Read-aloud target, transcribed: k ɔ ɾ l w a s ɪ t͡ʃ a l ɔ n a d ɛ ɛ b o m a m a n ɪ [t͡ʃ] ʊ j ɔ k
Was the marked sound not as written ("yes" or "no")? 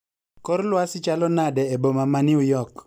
yes